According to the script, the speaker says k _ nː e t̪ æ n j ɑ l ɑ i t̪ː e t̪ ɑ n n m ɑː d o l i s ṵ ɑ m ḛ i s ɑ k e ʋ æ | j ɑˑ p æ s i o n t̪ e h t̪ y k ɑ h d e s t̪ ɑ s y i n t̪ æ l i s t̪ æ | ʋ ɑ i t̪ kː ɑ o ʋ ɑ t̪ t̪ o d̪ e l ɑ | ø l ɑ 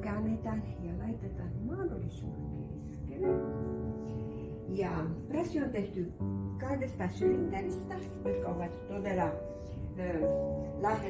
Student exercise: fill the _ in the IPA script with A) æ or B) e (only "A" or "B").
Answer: A